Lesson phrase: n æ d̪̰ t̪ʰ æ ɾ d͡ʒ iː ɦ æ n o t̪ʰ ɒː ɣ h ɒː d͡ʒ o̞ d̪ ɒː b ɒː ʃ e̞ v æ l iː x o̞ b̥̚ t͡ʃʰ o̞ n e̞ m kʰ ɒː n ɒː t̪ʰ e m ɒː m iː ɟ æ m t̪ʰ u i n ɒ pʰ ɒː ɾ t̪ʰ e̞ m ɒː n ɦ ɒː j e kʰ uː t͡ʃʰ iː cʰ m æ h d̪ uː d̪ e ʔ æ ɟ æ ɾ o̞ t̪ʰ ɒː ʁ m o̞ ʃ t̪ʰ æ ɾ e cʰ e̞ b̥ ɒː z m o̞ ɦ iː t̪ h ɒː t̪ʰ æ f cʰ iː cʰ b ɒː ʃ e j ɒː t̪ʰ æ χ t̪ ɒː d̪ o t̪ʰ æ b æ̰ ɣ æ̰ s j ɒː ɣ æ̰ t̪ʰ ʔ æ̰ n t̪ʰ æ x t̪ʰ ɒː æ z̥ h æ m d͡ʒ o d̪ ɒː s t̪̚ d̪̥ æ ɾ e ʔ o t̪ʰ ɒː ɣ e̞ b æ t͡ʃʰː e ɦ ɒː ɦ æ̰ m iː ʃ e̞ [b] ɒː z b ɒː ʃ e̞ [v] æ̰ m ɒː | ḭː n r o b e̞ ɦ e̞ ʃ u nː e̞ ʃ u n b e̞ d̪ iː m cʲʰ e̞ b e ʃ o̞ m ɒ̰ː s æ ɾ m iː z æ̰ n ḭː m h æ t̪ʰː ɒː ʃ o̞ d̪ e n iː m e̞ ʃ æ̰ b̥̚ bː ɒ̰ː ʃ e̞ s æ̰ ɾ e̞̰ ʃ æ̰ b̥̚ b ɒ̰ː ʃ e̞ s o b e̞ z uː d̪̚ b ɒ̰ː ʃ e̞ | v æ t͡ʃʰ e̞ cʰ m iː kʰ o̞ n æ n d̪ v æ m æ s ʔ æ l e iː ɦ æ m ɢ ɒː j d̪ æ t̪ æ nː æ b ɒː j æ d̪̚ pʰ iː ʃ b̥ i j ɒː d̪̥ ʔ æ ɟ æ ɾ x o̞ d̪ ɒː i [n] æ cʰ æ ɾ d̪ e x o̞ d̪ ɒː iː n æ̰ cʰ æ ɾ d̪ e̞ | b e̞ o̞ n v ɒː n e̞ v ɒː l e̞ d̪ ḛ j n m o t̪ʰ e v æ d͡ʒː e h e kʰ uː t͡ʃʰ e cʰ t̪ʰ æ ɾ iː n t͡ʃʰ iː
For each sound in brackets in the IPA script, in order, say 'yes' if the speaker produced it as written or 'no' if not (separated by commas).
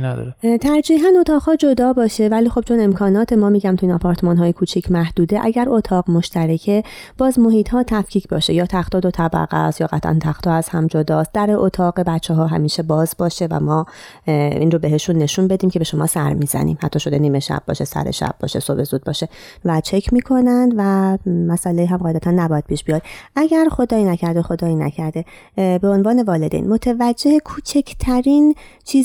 yes, yes, yes